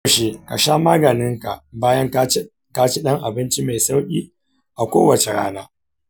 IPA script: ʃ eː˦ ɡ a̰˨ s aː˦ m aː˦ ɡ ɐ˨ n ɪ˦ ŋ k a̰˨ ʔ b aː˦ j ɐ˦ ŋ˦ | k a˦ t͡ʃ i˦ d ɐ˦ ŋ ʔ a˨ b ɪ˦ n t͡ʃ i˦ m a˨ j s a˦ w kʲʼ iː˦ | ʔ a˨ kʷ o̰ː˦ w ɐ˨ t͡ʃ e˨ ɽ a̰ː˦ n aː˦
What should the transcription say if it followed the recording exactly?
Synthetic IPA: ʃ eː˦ k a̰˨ ʃ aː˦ m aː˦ ɡ ɐ˨ n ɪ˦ ŋ k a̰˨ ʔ b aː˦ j ɐ˦ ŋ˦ | k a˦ t͡ʃ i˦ ɗ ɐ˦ ŋ ʔ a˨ b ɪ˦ n t͡ʃ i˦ m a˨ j s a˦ w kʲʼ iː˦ | ʔ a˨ kʷ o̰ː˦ w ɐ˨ t͡ʃ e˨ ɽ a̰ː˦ n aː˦